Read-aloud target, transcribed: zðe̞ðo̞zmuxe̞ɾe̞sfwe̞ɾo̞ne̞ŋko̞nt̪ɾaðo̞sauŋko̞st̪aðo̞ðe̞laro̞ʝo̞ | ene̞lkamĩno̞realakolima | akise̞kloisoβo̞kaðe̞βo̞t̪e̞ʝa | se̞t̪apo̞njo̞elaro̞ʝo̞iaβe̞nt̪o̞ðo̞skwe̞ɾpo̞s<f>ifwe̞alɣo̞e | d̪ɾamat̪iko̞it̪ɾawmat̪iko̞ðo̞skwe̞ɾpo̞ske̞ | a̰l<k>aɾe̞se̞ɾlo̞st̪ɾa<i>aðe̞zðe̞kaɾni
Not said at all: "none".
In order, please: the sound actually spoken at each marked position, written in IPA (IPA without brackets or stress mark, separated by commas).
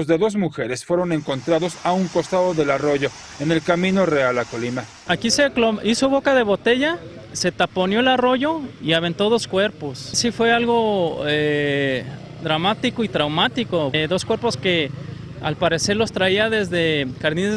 s, p, i